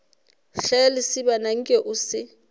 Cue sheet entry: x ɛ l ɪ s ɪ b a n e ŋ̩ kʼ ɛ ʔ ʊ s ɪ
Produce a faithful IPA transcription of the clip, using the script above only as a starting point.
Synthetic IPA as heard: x ɛ l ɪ s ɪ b a n a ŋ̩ kʼ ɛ ʔ ʊ s ɪ